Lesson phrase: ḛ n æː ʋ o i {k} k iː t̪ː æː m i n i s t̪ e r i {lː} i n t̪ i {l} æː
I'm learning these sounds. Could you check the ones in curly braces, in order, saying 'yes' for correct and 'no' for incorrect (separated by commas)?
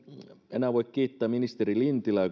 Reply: yes, no, yes